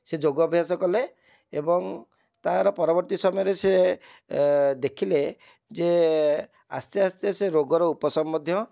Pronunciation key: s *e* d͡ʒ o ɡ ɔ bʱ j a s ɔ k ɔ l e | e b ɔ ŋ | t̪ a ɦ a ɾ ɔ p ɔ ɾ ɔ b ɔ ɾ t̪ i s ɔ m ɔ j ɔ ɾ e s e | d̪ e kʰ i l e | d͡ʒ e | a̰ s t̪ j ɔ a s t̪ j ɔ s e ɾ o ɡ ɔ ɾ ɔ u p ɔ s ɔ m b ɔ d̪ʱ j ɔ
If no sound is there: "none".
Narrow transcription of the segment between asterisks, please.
e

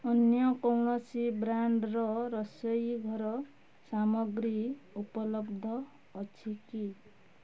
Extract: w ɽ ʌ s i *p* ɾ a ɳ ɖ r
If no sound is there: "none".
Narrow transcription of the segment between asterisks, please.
b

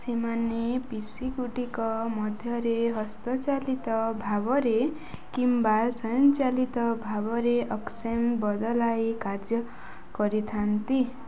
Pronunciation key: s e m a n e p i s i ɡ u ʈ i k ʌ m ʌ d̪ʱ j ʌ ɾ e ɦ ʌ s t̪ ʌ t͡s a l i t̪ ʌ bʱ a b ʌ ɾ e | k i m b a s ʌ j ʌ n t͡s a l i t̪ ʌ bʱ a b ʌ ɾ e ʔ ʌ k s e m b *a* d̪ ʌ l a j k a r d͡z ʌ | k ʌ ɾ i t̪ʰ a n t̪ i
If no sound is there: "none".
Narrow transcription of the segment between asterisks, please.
ʌ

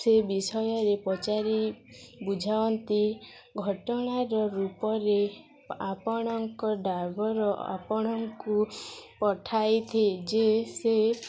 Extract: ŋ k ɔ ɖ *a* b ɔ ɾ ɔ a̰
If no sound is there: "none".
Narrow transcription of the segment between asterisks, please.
a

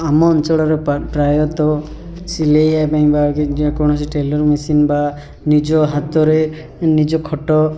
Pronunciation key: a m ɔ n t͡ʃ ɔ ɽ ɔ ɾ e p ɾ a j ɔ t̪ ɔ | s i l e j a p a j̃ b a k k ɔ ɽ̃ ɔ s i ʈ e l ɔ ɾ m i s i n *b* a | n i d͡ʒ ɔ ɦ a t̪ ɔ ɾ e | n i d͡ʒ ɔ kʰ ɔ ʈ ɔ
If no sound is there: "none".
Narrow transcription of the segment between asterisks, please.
b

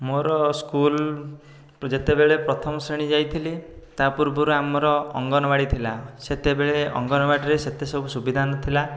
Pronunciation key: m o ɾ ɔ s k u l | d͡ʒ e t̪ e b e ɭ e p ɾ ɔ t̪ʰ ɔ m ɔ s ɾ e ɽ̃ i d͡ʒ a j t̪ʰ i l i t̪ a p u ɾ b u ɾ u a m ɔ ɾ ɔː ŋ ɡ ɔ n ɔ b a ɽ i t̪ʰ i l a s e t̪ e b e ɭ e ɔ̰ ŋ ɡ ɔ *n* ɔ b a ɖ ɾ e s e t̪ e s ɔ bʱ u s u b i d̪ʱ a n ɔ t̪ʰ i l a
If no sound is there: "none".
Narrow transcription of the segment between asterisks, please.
n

